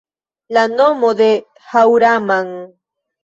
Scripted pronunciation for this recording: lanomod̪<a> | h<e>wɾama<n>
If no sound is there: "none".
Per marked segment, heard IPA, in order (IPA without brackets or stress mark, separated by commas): e, a, ŋ